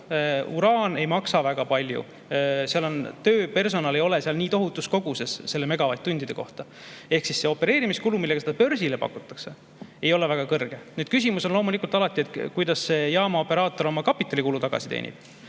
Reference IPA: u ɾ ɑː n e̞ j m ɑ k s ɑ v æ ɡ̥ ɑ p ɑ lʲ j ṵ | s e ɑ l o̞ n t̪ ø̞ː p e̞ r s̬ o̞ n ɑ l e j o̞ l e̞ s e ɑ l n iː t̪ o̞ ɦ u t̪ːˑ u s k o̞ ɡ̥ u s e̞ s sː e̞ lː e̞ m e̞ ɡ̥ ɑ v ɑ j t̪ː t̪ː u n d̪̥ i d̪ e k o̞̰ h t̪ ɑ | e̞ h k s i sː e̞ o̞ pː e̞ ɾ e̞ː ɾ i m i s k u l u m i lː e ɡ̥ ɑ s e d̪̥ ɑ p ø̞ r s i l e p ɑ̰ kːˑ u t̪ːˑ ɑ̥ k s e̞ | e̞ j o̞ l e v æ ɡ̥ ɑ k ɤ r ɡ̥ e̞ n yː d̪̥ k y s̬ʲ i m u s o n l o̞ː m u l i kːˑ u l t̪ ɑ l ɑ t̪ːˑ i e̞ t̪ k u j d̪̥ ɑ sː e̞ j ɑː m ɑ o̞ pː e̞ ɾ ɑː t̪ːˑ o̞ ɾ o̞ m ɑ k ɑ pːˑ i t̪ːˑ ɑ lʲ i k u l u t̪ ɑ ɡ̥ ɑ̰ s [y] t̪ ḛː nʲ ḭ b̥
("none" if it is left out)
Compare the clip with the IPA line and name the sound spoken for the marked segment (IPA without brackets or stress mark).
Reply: i